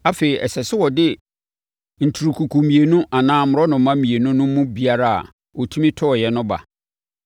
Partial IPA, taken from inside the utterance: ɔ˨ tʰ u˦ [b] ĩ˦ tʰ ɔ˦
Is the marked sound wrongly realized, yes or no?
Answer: yes